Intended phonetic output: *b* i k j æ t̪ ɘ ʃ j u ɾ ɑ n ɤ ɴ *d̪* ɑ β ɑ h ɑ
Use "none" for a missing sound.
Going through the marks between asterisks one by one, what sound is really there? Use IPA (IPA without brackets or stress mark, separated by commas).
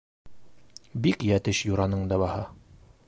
b, d̪